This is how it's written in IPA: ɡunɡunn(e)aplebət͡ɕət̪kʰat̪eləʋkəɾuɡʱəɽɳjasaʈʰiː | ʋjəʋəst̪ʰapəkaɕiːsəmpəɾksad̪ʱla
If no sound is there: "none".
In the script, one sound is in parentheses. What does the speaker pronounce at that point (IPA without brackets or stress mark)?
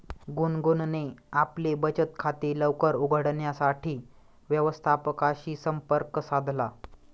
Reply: e